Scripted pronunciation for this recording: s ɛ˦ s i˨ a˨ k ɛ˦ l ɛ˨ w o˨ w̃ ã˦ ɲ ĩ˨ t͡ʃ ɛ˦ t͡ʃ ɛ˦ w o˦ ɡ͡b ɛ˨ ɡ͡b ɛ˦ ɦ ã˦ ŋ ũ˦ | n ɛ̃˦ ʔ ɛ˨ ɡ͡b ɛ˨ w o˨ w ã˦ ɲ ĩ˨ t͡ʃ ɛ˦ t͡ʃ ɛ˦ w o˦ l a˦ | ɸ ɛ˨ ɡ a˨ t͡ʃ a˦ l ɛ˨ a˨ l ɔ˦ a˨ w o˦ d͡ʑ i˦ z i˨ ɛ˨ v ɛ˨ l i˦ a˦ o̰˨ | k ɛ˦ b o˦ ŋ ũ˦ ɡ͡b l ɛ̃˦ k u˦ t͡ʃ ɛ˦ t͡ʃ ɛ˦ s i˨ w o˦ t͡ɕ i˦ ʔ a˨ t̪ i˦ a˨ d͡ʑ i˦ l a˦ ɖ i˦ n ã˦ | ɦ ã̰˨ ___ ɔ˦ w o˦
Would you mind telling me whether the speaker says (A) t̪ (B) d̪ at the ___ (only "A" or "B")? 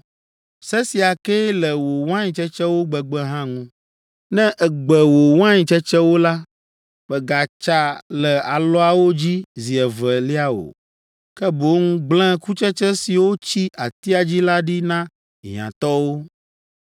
A